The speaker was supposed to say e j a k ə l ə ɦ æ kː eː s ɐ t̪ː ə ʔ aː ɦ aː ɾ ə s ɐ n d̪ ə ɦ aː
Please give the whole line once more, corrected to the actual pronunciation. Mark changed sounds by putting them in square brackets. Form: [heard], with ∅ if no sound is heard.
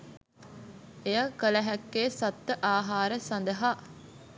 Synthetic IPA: e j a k ə l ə ɦ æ kː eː s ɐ t̪ː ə ʔ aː ɦ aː ɾ ə s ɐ n d̪ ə ɦ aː